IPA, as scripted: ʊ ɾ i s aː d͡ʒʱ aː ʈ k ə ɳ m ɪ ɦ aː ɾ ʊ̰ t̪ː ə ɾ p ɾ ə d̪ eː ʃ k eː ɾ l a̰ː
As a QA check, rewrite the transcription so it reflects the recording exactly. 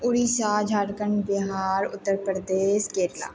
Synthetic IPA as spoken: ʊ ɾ i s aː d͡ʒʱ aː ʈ k ə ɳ b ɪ ɦ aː ɾ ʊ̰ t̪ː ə ɾ p ɾ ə d̪ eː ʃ k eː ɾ l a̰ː